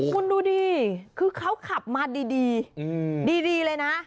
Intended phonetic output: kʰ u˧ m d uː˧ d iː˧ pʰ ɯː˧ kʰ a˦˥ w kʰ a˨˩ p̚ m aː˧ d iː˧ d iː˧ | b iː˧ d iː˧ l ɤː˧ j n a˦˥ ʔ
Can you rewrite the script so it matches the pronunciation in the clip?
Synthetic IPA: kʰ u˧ n d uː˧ d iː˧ kʰ ɯː˧ kʰ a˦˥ w kʰ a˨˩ p̚ m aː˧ d iː˧ d iː˧ | d iː˧ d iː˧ l ɤː˧ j n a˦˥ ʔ